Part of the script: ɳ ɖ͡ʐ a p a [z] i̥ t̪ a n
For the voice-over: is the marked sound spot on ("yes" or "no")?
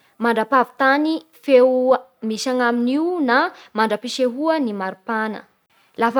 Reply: no